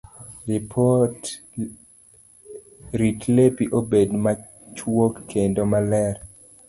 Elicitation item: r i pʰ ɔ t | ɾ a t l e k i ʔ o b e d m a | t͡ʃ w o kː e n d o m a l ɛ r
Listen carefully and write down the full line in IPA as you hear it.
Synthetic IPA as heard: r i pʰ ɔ t | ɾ i t l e p i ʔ o b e d m a | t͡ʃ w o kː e n d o m a l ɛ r